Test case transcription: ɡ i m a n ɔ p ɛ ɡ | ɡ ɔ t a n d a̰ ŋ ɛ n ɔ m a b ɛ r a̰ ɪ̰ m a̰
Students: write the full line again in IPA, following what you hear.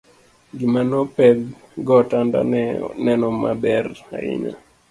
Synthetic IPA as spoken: ɡ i m a n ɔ p ɛ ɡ | ɡ ɔ t a n d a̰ n ɛ n ɔ m a b ɛ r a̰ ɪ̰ ɲ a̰